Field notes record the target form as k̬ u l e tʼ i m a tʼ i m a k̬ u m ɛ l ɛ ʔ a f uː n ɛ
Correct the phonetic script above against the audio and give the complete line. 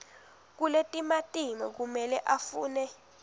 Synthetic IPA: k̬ u l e tʼ i m a tʼ i m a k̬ u m ɛ l ɛ ʔ a f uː n ɛ